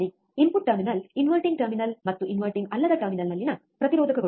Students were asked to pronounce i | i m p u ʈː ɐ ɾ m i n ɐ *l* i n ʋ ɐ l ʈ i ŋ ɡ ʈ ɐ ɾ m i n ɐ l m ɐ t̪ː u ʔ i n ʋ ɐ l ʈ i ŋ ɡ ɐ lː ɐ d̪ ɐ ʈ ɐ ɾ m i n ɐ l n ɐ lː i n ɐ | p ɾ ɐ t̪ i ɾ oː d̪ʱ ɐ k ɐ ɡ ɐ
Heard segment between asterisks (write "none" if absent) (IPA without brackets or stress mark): l